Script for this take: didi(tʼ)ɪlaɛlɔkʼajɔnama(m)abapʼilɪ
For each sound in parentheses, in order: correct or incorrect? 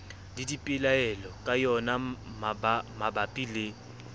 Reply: incorrect, correct

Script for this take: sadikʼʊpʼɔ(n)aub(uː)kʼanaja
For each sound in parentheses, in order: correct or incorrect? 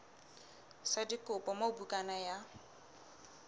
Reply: incorrect, incorrect

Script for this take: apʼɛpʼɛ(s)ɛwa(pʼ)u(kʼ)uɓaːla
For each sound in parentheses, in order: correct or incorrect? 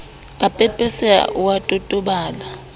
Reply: correct, incorrect, incorrect

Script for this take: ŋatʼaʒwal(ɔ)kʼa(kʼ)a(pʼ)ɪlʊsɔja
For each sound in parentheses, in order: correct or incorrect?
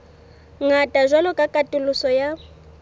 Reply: correct, correct, incorrect

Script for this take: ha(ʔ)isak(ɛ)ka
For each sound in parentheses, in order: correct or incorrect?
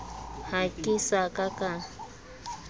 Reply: incorrect, incorrect

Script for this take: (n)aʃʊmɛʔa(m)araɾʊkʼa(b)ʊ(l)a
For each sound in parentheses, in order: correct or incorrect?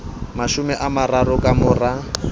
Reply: incorrect, correct, incorrect, incorrect

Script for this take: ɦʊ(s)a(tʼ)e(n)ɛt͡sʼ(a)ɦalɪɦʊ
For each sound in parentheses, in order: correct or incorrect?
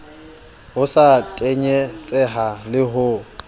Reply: correct, correct, incorrect, incorrect

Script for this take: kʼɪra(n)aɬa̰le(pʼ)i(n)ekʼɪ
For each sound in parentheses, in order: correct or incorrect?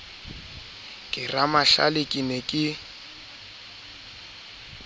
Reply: incorrect, incorrect, correct

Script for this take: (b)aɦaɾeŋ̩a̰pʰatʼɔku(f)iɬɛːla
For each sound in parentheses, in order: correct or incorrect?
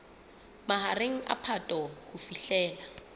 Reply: incorrect, correct

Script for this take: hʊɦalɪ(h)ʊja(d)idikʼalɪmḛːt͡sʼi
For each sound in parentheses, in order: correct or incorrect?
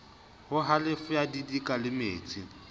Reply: incorrect, correct

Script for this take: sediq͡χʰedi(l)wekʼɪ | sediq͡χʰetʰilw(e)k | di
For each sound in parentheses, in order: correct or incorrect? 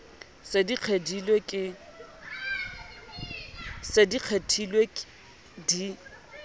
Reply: correct, correct

